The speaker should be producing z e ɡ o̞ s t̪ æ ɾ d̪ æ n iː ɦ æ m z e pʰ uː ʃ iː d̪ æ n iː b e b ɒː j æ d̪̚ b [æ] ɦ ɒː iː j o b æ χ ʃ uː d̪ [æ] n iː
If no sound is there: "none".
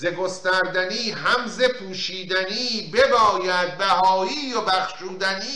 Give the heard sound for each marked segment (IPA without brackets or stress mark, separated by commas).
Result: æ, æ